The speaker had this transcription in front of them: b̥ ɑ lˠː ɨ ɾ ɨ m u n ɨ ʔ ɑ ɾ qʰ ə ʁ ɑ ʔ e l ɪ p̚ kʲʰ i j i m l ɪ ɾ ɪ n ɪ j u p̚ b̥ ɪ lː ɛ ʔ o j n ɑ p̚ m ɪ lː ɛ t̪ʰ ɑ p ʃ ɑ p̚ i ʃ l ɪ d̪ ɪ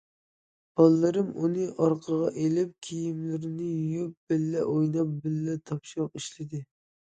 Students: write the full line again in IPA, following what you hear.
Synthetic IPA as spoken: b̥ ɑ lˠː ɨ ɾ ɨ m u n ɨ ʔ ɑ ɾ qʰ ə ʁ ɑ ʔ e l ɪ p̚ kʲʰ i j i m l ɪ ɾ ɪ n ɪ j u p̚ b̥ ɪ lː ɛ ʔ o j n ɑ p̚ b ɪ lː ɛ t̪ʰ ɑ p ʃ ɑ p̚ i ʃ l ɪ d̪ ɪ